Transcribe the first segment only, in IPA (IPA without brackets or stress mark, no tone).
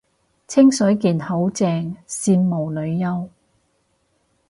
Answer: t͡sʰ